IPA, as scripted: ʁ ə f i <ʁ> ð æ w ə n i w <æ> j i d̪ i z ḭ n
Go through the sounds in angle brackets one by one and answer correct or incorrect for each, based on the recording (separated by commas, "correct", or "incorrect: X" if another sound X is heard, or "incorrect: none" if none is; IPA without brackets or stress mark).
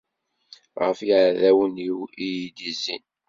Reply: incorrect: ʕ, incorrect: i